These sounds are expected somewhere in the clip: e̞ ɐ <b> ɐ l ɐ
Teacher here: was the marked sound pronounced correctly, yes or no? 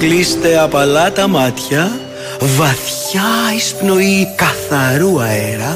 no